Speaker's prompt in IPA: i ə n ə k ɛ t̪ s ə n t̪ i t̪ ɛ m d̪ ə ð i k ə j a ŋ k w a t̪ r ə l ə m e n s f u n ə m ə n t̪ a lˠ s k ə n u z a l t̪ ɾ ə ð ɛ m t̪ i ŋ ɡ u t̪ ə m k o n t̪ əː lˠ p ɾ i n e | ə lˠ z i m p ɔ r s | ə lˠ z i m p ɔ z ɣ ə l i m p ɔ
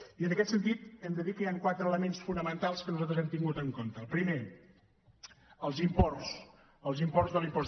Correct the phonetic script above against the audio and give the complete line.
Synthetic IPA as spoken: i ə n ə k ɛ t̪ s ə n t̪ i t̪ ɛ m d̪ ə ð i k ə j a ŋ k w a t̪ ɾ ə l ə m e n s f u n ə m ə n t̪ a lˠ s k ə n u z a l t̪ ɾ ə z ɛ m t̪ i ŋ ɡ u t̪ ə ŋ k o n t̪ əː lˠ p ɾ i m e | ə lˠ z i m p ɔ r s | ə lˠ z i m p ɔ z ð ə l i m p ɔ

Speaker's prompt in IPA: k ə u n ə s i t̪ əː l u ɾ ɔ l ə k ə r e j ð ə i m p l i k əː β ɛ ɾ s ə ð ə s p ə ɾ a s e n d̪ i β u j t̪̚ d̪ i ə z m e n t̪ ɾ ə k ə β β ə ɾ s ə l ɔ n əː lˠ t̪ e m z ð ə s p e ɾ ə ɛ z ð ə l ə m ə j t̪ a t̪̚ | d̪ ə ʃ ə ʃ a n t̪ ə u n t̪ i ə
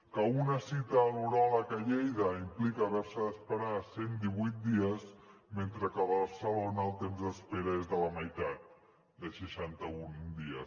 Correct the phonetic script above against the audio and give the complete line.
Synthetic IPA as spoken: k ə u n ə s i t̪ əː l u ɾ ɔ l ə k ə ʎ e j ð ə i m p l i k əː β ɛ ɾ s ə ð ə s p ə ɾ a s e n d̪ i β u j t̪̚ d̪ i ə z m e n t̪ ɾ ə k ə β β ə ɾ s ə l o n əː lˠ t̪ e m z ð ə s p e ɾ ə e z ð ə l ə m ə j t̪ a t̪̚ | d̪ ə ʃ ə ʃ a n t̪ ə u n d̪ i ə

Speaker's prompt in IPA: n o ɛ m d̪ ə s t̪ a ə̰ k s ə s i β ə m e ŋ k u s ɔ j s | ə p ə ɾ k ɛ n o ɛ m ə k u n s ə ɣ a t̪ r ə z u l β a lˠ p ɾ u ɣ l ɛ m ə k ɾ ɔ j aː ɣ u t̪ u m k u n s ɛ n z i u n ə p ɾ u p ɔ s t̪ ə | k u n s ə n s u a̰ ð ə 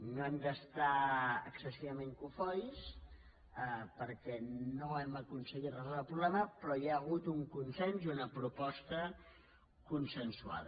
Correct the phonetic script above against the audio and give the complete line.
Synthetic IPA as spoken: n o ɛ m d̪ ə s t̪ a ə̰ k s ə s i β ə m e ŋ k u f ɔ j s | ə p ə ɾ k ɛ n o ɛ m ə k u n s ə ɣ i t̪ r ə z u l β a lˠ p ɾ u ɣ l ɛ m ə p ɾ ɔ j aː ɣ u t̪ u ŋ k u n s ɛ n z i u n ə p ɾ u p ɔ s t̪ ə | k u n s ə n s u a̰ ð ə

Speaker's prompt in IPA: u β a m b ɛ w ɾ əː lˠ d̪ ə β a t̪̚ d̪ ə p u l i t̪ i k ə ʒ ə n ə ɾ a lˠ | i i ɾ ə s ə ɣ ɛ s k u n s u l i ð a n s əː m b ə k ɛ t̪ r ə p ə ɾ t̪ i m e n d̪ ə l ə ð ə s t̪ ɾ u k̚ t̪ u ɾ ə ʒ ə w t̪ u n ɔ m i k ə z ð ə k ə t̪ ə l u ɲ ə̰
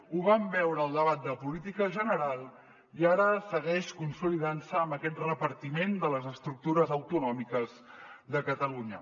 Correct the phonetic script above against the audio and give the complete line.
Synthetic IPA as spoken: u β a m b ɛ w ɾ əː lˠ d̪ ə β a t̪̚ d̪ ə p u l i t̪ i k ə ʒ ə n ə ɾ a lˠ | i a ɾ ə s ə ɣ ɛ ʃ k u n s u l i ð a n s əː m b ə k ɛ t̪ r ə p ə ɾ t̪ i m e n d̪ ə l ə z ə s t̪ ɾ u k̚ t̪ u ɾ ə z ə w t̪ u n ɔ m i k ə z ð ə k ə t̪ ə l u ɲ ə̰

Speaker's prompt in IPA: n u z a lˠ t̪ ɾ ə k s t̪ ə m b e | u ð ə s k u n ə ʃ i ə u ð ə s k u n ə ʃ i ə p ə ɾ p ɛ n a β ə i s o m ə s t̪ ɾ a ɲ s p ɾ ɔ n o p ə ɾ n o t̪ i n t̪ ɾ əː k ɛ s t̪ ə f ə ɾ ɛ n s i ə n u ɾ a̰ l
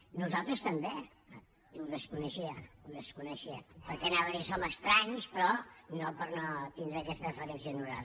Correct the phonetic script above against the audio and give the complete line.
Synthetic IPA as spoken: n u z a lˠ t̪ ɾ ə s t̪ ə m b e | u ð ə s k u n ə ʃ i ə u ð ə s k u n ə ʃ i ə p ə ɾ k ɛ n a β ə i s o m ə s t̪ ɾ a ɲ s p ɾ ɔ n o p ə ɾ n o t̪ i n d̪ ɾ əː k ɛ s t̪ ə f ə ɾ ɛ n s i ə n u ɾ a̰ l

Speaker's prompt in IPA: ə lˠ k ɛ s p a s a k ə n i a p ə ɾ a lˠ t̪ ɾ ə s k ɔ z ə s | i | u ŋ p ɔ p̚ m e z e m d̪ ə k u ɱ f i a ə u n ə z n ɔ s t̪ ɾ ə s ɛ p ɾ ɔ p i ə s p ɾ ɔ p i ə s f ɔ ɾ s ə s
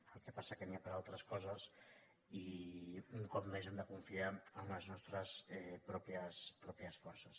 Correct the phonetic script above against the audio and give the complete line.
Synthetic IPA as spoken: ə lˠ k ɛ p a s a k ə n i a p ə ɾ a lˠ t̪ ɾ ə s k ɔ z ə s | i | u ŋ k ɔ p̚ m e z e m d̪ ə k u ɱ f i a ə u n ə z n ɔ s t̪ ɾ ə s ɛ p ɾ ɔ p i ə s p ɾ ɔ p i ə s f ɔ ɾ s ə s

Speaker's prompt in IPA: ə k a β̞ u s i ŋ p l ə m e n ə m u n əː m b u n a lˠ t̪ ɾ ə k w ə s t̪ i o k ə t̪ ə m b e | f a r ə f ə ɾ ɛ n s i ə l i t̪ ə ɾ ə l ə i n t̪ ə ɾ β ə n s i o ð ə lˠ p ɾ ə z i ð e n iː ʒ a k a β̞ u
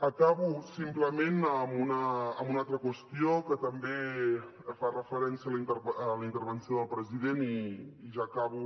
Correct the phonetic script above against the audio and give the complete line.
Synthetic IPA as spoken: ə k a β̞ u s i m p l ə m e n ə m u n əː m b u n a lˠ t̪ ɾ ə k w ə s t̪ i o k ə t̪ ə m b e | f a r ə f ə ɾ ɛ n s i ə l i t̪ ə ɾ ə l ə i n t̪ ə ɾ β ə n s i o ð ə lˠ p ɾ ə z i ð e n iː ʒ a k a β̞ u

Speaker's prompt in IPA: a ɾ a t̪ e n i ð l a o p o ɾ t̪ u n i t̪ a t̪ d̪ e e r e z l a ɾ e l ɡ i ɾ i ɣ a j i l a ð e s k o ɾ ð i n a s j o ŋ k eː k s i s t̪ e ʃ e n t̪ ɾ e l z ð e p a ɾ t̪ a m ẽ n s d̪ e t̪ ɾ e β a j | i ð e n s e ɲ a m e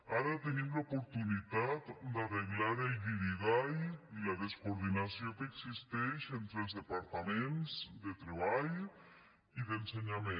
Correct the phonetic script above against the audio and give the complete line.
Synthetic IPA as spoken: a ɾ a t̪ e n i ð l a o p o ɾ t̪ u n i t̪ a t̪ d̪ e a r e ɣ l a ɾ e l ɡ i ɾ i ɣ a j i l a ð e s k o ɾ ð i n a s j o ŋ k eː k s i s t̪ e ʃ e n t̪ ɾ e l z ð e p a ɾ t̪ a m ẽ n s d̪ e t̪ ɾ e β a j | i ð e n s e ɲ a m e

